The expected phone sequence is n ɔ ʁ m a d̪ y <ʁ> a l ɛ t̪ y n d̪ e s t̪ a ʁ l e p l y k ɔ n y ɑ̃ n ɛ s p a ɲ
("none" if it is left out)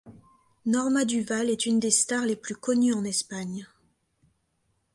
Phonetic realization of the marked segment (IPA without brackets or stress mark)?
v